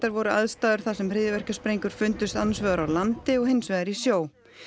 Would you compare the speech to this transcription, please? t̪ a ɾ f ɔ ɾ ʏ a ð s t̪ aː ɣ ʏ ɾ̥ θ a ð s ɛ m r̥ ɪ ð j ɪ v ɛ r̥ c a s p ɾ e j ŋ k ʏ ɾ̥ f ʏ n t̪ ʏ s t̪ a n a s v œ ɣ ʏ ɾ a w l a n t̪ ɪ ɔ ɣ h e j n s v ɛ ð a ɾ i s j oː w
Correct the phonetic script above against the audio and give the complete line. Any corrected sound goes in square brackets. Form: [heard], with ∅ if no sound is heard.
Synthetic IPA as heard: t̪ a ɾ [v] ɔ ɾ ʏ a ð s t̪ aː [ð] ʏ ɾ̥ θ a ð s ɛ m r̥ ɪ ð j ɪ v ɛ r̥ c a s p ɾ e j ŋ k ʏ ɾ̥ f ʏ n t̪ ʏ s t̪ a n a s v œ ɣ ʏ ɾ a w l a n t̪ ɪ ɔ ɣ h e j n s v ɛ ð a ɾ i s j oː w